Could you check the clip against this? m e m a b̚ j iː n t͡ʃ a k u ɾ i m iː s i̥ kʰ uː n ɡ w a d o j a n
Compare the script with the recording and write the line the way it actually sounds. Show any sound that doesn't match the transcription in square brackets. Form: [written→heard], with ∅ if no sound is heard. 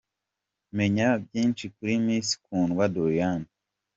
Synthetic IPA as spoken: m e [m→ɲ] a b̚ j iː n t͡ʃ [a→i] k u ɾ i m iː s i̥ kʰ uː n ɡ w a d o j a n